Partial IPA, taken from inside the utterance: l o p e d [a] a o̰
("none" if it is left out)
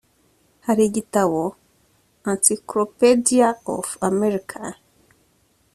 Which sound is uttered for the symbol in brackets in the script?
i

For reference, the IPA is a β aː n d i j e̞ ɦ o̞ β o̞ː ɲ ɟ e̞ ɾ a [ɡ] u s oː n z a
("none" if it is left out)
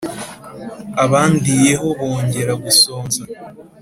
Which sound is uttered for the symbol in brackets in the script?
ɡ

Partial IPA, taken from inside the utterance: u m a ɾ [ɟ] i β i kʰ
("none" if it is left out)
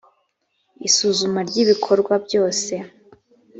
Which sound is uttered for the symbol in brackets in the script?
ɟ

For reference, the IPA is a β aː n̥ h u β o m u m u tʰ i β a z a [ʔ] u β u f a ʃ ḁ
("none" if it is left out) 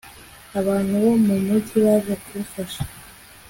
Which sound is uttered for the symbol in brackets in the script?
k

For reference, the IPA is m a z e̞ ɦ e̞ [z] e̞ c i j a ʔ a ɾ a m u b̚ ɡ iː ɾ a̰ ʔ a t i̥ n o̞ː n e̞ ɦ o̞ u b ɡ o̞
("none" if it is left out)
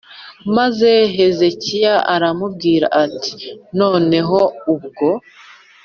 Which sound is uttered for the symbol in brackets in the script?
z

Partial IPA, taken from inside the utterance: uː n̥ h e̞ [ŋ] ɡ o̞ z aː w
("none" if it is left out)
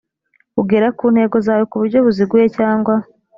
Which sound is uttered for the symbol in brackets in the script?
none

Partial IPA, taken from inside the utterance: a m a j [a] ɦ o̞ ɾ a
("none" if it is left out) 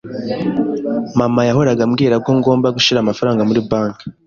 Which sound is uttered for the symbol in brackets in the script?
a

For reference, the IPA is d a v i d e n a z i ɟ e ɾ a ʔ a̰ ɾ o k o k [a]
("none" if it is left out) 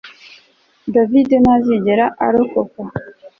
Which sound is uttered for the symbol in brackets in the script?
a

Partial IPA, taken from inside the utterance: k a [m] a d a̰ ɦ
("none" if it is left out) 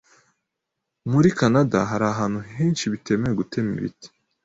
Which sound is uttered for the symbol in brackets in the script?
n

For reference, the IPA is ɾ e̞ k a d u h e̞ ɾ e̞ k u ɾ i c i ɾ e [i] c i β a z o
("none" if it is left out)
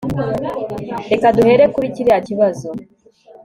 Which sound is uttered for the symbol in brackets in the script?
a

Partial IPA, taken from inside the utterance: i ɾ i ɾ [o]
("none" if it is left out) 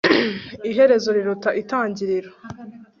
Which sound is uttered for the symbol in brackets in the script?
o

